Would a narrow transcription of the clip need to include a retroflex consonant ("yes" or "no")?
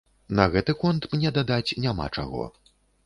yes